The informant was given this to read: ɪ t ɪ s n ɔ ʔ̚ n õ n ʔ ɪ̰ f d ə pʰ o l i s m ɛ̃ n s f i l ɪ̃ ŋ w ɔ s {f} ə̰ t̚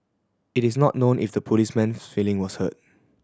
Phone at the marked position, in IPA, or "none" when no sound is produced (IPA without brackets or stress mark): h